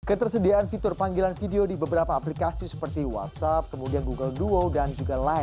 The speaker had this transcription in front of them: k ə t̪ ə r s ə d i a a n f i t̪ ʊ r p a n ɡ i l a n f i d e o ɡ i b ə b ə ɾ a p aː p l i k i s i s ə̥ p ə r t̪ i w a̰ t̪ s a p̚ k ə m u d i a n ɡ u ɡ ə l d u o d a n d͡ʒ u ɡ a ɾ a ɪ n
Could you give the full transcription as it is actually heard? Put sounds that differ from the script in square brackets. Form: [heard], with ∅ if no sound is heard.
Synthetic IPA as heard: k ə t̪ ə r s ə d i a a n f i t̪ ʊ r p a [ŋ] ɡ i l a n f i d e o [d] i b ə b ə ɾ a p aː p l i k [a] s i s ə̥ p ə r t̪ i w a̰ t̪ s a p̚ k ə m u d i a n ɡ u ɡ ə l d u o d a n d͡ʒ u ɡ a [l] a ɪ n

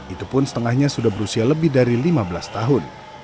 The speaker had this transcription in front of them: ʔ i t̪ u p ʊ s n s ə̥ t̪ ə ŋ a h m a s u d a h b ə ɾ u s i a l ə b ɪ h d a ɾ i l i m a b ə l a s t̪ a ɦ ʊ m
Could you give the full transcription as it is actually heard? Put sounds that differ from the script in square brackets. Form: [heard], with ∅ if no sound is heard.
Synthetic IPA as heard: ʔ i t̪ u p ʊ [∅] n s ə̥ t̪ ə ŋ a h [ɲ] a s u d a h b ə ɾ u s i a l ə b ɪ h d a ɾ i l i m a b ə l a s t̪ a ɦ ʊ [n]

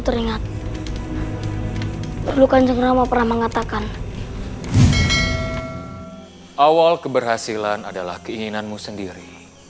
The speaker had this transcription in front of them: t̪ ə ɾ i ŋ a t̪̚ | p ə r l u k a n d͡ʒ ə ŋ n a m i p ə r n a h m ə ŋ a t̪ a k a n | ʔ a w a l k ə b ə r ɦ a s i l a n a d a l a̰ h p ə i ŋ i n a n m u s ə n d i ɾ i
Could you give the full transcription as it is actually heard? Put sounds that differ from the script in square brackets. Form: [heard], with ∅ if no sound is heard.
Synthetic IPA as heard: t̪ ə ɾ i ŋ a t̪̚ | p ə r l u k a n d͡ʒ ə ŋ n a m [a] p ə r n a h m ə ŋ a t̪ a k a n | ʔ a w a l k ə b ə r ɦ a s i l a n a d a l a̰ h [k] ə i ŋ i n a n m u s ə n d i ɾ i

